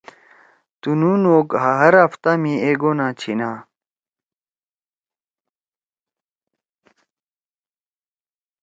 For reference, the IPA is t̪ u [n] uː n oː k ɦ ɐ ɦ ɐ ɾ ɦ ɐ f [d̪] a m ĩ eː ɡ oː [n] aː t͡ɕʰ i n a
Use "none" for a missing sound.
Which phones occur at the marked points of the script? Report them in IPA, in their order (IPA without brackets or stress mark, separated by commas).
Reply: n, t̪, n